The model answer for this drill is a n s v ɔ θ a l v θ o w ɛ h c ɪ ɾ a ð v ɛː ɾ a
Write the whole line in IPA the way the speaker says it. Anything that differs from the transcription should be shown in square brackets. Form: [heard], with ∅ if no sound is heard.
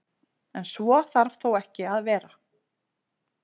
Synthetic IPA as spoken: [ɛ] n s v ɔ θ a [ɾ] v θ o w ɛ h c ɪ [∅] a ð v ɛː ɾ a